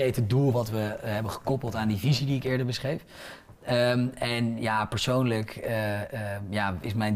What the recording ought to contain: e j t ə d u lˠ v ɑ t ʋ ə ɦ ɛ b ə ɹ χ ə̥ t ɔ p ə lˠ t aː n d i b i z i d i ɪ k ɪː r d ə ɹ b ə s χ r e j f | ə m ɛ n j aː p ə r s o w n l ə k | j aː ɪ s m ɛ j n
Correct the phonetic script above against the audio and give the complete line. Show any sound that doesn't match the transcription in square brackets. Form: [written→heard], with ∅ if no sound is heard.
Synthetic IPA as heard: e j t ə d u lˠ [v→ʋ] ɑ t ʋ ə ɦ ɛ b ə [ɹ→∅] χ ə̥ [t→k] ɔ p ə lˠ t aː n d i [b→v] i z i d i ɪ k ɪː [r→ɹ] d ə ɹ b ə s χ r e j f | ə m ɛ n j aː p ə [r→ɹ] s o w n l ə k | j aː ɪ s m ɛ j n